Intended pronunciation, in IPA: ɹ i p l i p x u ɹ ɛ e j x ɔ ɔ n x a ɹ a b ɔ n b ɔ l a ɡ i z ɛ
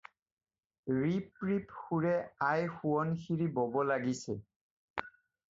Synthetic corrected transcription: ɹ i p ɹ i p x u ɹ ɛ a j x u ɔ n x i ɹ i b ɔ b ɔ l a ɡ i s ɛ